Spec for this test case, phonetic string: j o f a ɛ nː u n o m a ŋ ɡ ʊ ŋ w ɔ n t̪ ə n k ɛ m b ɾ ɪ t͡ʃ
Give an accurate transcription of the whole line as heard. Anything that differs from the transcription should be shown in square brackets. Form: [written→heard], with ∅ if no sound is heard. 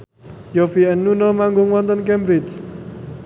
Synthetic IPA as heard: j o f [a→i] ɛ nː u n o m a ŋ ɡ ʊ ŋ w ɔ n t̪ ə n k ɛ m b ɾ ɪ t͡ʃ